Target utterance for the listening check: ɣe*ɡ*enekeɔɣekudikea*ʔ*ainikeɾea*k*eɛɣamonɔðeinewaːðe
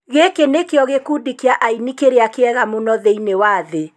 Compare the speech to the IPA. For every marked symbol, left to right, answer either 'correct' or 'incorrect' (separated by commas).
incorrect, correct, correct